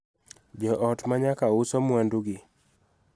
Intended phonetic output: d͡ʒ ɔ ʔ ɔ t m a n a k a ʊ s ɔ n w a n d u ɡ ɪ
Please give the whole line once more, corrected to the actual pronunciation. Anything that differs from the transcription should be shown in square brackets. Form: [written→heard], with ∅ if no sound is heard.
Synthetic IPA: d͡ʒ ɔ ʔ ɔ t m a [n→ɲ] a k a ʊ s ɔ [n→m] w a n d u ɡ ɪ